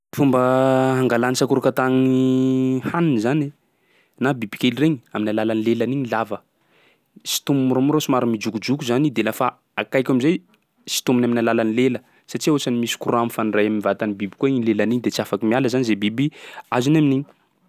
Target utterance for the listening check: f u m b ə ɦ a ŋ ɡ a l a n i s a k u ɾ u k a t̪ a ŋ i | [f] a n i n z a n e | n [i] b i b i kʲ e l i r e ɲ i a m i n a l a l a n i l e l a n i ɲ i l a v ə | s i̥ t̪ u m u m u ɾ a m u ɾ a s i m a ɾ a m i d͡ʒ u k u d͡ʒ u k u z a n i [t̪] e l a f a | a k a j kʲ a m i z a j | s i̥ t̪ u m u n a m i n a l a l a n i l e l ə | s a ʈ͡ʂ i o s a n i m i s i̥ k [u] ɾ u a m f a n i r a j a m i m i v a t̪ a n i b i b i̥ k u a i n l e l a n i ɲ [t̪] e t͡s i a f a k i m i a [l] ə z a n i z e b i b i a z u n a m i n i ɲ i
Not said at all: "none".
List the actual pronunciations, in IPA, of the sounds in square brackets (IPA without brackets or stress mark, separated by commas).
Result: h, a, d̪, u, d̪, l